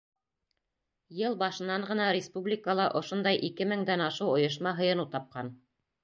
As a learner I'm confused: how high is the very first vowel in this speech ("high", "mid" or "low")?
mid